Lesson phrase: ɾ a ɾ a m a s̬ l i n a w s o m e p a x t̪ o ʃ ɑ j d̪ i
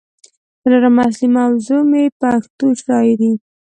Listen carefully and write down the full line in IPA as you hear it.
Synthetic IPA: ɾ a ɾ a m a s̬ l i m a w z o m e p a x t̪ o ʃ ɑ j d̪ i